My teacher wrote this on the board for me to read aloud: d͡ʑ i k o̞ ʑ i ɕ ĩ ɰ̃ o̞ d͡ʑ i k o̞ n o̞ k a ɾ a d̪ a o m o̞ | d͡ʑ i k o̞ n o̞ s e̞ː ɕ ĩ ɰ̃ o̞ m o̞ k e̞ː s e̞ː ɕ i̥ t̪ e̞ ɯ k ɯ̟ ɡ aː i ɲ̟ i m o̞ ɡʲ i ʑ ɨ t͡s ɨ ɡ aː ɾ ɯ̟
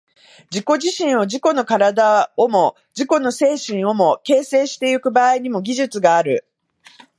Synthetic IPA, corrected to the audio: d͡ʑ i k o̞ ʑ i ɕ ĩ ɰ̃ o̞ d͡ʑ i k o̞ n o̞ k a ɾ a d̪ a o m o̞ | d͡ʑ i k o̞ n o̞ s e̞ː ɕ ĩ ɰ̃ o̞ m o̞ k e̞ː s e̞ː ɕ i̥ t̪ e̞ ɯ k ɯ̟ b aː i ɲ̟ i m o̞ ɡʲ i ʑ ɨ t͡s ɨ ɡ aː ɾ ɯ̟